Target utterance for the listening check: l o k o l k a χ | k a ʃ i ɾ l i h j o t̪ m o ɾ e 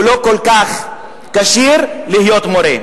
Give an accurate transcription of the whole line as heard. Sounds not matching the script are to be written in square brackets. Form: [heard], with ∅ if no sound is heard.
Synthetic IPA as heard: l o k o l k a χ | k a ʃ i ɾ l i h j o t̪ m o ɾ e